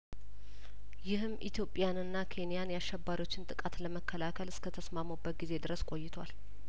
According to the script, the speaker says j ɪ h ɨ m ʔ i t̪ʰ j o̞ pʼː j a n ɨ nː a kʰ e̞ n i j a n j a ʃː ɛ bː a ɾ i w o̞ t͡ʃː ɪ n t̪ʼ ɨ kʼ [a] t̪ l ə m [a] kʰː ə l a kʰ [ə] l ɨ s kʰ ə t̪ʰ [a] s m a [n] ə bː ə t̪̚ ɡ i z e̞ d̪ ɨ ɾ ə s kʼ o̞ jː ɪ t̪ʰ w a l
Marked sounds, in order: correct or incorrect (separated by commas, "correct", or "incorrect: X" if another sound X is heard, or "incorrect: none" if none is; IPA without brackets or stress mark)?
correct, incorrect: ə, correct, incorrect: ə, incorrect: m